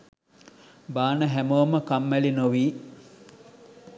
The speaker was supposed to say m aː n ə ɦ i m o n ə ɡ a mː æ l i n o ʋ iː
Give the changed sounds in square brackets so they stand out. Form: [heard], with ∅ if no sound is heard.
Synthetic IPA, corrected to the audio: [b] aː n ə ɦ [æ] m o [m] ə [k] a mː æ l i n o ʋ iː